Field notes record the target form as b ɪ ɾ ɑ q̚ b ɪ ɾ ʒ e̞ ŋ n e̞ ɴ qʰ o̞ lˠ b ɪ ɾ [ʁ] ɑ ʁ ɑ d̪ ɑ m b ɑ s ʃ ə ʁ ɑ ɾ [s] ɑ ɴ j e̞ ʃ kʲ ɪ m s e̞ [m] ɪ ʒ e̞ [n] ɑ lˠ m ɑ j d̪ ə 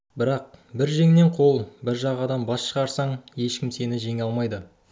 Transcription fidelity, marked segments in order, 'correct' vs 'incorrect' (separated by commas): incorrect, correct, incorrect, incorrect